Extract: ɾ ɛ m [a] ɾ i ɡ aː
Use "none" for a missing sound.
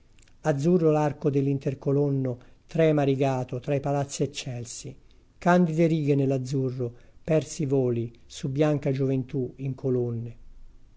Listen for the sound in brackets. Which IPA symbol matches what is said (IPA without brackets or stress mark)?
a